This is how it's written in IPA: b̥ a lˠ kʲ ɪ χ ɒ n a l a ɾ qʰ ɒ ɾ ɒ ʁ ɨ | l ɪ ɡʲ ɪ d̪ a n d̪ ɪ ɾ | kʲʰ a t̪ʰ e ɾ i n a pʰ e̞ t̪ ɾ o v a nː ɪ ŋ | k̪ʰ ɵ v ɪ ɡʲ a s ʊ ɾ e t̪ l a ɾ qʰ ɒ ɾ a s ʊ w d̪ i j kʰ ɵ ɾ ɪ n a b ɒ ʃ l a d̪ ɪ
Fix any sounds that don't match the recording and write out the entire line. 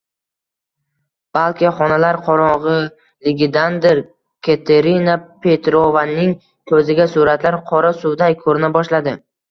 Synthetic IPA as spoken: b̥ a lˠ kʲ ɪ χ ɒ n a l a ɾ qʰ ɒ ɾ ɒ ʁ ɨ | l ɪ ɡʲ ɪ d̪ a n d̪ ɪ ɾ | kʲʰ e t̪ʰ e ɾ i n a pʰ e̞ t̪ ɾ o v a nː ɪ ŋ | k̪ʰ ɵ z ɪ ɡʲ a s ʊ ɾ a t̪ l a ɾ qʰ ɒ ɾ a s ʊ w d̪ a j kʰ ɵ ɾ ɪ n a b ɒ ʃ l a d̪ ɪ

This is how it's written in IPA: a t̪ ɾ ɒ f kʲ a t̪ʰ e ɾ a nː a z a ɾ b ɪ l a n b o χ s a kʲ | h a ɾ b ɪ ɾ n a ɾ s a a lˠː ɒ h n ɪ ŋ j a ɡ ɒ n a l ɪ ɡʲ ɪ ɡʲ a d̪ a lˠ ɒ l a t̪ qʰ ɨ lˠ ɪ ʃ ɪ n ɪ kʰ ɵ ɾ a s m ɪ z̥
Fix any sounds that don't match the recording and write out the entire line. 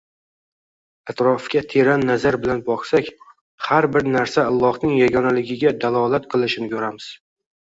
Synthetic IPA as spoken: a t̪ ɾ ɒ f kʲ a t̪ʰ e ɾ a nː a z a ɾ b ɪ l a n b ɒ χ s a kʲ | h a ɾ b ɪ ɾ n a ɾ s a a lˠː ɒ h n ɪ ŋ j a ɡ ɒ n a l ɪ ɡʲ ɪ ɡʲ a d̪ a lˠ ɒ l a t̪ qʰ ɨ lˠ ɪ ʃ ɪ n ɪ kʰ ɵ ɾ a m ɪ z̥

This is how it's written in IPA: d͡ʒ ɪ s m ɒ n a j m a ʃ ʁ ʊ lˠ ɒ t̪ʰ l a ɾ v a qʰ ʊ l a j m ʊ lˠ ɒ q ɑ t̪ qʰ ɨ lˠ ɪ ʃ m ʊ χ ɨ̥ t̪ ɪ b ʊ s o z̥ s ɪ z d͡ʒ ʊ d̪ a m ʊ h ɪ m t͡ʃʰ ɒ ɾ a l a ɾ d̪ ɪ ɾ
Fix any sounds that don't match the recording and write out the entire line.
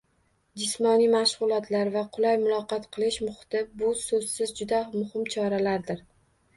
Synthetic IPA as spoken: d͡ʒ ɪ s m ɒ n i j m a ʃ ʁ ʊ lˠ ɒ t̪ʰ l a ɾ v a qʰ ʊ l a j m ʊ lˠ ɒ q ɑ t̪ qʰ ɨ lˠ ɪ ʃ m ʊ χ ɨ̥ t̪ ɪ b ʊ s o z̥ s ɪ z d͡ʒ ʊ d̪ a m ʊ h ɪ m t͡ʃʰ ɒ ɾ a l a ɾ d̪ ɪ ɾ

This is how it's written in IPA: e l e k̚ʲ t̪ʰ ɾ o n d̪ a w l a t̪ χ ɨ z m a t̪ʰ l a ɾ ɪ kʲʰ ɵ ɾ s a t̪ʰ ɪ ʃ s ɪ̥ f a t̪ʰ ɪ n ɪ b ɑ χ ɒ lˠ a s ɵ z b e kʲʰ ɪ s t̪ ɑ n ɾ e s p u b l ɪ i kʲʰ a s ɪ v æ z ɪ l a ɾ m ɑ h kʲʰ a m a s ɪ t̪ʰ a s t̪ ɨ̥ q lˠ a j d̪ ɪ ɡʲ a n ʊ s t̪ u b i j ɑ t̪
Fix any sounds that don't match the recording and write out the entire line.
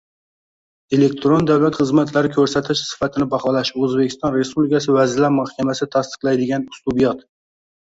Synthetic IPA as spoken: e l e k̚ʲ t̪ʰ ɾ o n d̪ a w l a t̪ χ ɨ z m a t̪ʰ l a ɾ ɪ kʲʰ ɵ ɾ s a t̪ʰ ɪ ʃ s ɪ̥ f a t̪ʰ ɪ n ɪ b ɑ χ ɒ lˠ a ʃ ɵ z b e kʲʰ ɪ s t̪ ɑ n ɾ e s p u b l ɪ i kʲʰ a s ɪ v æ z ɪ l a ɾ m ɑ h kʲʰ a m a s ɪ t̪ʰ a s t̪ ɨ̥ q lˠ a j d̪ ɪ ɡʲ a n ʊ s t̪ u b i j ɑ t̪

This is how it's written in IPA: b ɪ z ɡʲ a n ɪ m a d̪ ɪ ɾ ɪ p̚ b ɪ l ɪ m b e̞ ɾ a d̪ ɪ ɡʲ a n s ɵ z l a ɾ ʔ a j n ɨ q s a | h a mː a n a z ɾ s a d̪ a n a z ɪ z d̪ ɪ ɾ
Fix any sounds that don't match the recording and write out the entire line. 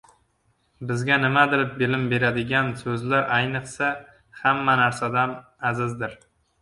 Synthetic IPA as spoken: b ɪ z ɡʲ a n ɪ m a d̪ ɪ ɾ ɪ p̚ b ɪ l ɪ m b e̞ ɾ a d̪ ɪ ɡʲ a n s ɵ z l a ɾ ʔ a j n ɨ q s a | h a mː a n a ɾ s a d̪ a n a z ɪ z d̪ ɪ ɾ

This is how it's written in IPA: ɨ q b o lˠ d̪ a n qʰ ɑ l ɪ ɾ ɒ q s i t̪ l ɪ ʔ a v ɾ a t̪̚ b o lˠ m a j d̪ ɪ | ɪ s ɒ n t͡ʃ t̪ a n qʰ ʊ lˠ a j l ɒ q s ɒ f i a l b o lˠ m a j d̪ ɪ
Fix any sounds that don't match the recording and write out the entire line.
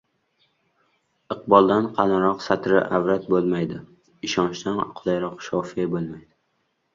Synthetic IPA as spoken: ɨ q b ɒ lˠ d̪ a n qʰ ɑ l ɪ ɾ ɒ q s a t̪ ɾ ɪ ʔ a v ɾ a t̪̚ b o lˠ m a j d̪ ɪ | ɪ ʃ ɒ n t͡ʃ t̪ a n qʰ ʊ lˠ a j ɾ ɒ q ʃ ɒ f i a b o lˠ m a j d̪ ɪ

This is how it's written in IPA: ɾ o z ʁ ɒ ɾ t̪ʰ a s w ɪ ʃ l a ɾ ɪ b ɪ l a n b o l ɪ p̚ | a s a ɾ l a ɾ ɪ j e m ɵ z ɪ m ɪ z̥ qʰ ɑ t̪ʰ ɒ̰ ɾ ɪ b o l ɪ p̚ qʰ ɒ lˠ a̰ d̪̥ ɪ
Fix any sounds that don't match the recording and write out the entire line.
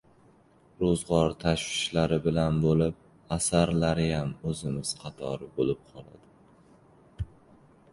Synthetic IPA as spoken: ɾ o z ʁ ɒ ɾ t̪ʰ a ʃ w ɪ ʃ l a ɾ ɪ b ɪ l a n b o l ɪ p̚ | a s a ɾ l a ɾ ɪ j a m ɵ z ɪ m ɪ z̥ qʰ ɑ t̪ʰ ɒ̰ ɾ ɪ b o l ɪ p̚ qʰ ɒ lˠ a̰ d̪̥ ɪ

